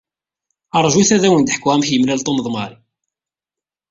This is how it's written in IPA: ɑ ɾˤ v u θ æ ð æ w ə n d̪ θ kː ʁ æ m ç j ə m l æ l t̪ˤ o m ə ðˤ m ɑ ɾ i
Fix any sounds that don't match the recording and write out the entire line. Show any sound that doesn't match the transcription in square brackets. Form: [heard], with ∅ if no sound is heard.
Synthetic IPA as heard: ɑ ɾˤ [ʒ] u θ æ ð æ w ə n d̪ [ħ] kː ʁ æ m ç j ə m l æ l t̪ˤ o m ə ðˤ m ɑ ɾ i